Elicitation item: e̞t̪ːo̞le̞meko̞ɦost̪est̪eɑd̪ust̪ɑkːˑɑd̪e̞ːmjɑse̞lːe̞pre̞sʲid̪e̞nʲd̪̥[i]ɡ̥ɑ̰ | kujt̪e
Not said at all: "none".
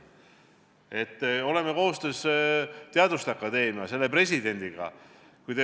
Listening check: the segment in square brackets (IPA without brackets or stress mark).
i